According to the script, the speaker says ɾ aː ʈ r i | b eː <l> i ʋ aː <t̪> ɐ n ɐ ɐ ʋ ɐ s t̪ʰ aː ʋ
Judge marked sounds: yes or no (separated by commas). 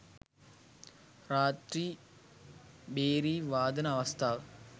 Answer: no, no